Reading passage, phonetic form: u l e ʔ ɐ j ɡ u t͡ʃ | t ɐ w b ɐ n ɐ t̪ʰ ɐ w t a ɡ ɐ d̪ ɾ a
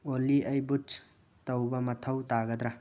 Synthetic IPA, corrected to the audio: o l i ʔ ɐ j b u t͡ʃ | t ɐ w b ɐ m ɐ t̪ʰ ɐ w t a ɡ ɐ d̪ ɾ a